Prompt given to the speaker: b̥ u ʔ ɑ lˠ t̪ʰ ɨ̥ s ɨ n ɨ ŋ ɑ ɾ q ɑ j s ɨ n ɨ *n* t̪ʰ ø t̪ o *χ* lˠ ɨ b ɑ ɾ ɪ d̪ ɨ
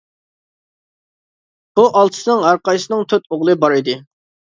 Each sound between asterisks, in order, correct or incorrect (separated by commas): incorrect, incorrect